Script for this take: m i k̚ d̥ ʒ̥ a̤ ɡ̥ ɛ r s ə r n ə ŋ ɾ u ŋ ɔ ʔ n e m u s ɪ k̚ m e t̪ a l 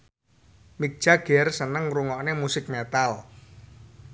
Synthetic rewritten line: m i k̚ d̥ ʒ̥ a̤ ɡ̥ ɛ r s ə n ə ŋ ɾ u ŋ ɔ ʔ n e m u s ɪ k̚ m e t̪ a l